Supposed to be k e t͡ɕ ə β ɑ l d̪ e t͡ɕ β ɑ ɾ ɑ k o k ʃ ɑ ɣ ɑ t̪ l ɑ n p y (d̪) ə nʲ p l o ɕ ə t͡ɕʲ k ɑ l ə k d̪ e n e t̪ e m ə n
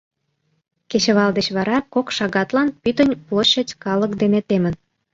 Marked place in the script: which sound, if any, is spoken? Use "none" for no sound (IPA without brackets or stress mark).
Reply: t̪